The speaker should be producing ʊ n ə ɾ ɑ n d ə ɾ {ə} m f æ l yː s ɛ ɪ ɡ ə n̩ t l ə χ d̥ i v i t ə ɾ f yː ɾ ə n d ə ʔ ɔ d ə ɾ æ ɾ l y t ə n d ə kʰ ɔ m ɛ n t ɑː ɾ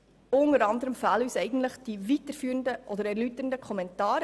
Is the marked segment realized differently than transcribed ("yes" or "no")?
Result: no